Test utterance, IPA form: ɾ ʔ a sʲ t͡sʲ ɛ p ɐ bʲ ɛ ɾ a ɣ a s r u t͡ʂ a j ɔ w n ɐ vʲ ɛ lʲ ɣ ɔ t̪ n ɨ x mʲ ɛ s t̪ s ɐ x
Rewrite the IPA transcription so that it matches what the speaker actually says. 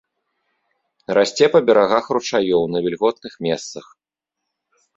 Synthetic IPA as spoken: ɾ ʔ a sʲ t͡sʲ ɛ p ɐ bʲ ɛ ɾ a ɣ a x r u t͡ʂ a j ɔ w n ɐ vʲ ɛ lʲ ɣ ɔ t̪ n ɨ x mʲ ɛ s t̪ s ɐ x